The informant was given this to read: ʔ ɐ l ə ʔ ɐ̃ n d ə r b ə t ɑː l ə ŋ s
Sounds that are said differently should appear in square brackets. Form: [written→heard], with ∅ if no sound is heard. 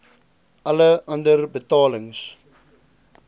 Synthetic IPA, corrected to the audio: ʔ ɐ l ə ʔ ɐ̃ n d ə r b ə t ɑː l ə ŋ s